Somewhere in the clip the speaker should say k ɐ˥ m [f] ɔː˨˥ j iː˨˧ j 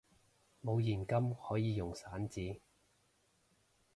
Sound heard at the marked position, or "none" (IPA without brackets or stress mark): h